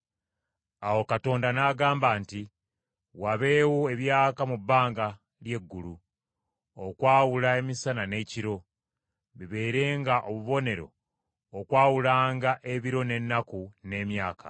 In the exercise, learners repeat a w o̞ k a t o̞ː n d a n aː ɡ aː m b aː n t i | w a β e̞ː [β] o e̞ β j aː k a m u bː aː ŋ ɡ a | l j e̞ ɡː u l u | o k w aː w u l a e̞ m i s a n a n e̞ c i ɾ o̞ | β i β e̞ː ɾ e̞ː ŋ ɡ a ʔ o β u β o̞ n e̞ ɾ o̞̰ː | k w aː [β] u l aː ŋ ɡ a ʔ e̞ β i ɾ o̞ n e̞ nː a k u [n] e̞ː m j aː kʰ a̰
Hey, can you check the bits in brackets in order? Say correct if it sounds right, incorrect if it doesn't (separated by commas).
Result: incorrect, incorrect, correct